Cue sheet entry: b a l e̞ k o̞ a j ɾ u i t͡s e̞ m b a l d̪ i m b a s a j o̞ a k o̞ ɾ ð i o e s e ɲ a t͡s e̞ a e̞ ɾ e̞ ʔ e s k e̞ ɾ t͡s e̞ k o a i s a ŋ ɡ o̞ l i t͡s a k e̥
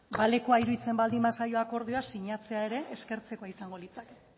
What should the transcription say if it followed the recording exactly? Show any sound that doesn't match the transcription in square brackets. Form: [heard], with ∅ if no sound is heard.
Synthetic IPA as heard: b a l e̞ k o̞ a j ɾ u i t͡s e̞ m b a l d̪ i m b a s a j o̞ a k o̞ ɾ ð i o [a] s [i] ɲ a t͡s e̞ a e̞ ɾ e̞ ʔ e s k e̞ ɾ t͡s e̞ k o a i s a ŋ ɡ o̞ l i t͡s a k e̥